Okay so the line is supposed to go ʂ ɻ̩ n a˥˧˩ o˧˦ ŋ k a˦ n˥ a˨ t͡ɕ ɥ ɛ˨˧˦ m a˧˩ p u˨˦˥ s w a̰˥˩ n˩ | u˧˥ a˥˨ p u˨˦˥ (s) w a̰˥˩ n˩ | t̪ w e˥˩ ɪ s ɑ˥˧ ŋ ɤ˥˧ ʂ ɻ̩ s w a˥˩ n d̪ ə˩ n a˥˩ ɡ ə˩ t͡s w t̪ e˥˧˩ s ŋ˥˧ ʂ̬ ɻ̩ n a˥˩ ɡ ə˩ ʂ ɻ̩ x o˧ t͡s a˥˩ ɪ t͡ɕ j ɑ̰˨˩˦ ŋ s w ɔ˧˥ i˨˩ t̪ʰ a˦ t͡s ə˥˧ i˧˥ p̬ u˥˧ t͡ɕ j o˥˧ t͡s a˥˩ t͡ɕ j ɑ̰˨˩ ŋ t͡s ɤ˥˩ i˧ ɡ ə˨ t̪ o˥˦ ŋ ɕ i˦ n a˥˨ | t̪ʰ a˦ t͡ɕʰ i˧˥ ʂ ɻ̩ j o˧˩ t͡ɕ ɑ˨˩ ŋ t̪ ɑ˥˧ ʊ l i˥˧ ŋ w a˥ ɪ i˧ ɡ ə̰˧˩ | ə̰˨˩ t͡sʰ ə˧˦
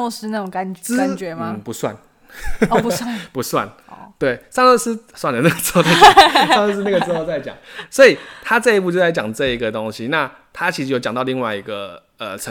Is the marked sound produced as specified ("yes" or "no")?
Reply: yes